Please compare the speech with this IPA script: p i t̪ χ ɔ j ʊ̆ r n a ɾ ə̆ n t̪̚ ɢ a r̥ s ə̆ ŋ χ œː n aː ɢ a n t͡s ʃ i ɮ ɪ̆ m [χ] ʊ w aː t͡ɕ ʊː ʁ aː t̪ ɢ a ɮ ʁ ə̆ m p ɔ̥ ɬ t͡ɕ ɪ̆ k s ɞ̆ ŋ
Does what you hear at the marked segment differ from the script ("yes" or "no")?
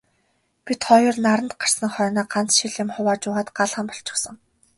no